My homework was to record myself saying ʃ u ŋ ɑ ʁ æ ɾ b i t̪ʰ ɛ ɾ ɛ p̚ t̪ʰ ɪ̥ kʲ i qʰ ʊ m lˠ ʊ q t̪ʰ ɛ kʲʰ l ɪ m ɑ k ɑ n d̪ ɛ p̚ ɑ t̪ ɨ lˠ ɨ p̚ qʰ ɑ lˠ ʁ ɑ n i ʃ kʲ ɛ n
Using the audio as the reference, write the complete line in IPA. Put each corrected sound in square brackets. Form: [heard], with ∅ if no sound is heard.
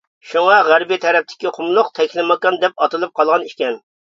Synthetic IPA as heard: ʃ u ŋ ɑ ʁ æ ɾ b i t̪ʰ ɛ ɾ ɛ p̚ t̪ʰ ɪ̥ kʲ i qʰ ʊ m lˠ ʊ q t̪ʰ ɛ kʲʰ l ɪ m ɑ k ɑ n d̪ ɛ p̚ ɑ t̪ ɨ lˠ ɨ p̚ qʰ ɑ lˠ ʁ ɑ n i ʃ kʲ ɛ n